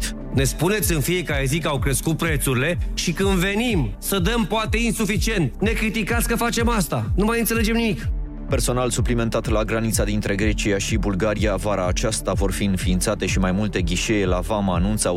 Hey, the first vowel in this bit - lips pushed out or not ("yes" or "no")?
no